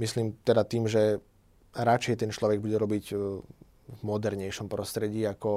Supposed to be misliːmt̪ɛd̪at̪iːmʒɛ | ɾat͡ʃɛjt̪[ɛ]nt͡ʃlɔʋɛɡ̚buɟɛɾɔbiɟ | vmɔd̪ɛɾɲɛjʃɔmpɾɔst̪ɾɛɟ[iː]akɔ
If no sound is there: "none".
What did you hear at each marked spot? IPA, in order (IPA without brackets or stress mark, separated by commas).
ɛ, iː